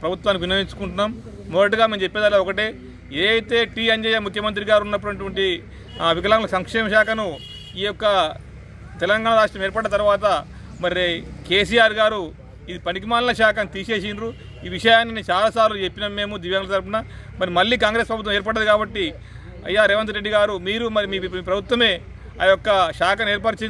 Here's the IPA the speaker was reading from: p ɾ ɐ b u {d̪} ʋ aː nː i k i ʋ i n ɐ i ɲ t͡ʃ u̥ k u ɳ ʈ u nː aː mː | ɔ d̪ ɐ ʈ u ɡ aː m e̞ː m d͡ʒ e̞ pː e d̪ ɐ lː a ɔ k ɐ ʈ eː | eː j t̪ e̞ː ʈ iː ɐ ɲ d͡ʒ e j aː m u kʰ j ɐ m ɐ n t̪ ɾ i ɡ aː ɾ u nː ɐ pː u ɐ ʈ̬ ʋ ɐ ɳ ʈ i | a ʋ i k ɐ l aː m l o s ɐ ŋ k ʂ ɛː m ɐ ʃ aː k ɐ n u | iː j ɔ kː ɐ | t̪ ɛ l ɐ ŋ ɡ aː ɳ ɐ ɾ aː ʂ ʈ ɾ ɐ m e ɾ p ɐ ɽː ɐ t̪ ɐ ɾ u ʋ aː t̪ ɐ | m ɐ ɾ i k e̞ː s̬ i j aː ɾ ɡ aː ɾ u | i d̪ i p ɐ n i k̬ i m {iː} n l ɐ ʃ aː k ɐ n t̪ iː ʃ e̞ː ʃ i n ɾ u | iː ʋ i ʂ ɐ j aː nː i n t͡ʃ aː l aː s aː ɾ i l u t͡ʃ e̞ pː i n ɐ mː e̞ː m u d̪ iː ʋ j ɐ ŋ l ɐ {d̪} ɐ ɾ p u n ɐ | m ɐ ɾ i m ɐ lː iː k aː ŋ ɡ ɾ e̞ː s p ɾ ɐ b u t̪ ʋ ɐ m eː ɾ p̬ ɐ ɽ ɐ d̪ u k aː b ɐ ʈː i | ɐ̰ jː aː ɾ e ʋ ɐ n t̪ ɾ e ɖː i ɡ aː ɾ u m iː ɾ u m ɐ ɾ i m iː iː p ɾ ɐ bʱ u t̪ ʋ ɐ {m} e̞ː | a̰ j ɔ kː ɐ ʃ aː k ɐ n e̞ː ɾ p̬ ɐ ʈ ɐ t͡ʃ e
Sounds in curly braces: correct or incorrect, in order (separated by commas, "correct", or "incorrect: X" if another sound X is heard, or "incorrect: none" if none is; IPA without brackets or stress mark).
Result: incorrect: t̪, incorrect: aː, incorrect: t̪, correct